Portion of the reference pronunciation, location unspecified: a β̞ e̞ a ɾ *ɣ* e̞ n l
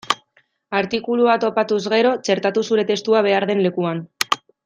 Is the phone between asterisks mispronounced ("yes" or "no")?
yes